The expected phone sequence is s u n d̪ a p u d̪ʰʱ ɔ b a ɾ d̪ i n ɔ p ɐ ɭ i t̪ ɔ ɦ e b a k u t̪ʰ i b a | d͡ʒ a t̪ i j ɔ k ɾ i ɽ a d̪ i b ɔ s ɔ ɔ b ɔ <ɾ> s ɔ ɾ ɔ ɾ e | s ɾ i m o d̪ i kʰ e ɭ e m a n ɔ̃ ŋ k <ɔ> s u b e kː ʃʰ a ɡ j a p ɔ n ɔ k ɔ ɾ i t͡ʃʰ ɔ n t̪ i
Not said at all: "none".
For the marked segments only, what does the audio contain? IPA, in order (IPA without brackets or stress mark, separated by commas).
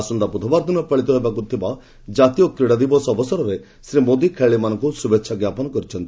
none, u